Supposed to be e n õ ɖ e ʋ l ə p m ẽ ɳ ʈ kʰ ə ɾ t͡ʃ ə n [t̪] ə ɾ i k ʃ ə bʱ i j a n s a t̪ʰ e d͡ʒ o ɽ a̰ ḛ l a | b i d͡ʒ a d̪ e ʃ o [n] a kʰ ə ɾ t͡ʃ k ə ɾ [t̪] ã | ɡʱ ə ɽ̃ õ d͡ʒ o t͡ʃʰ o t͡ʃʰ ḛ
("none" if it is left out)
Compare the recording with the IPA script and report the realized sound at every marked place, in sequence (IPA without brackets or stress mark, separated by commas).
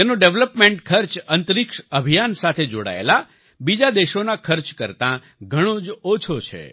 t̪, n, t̪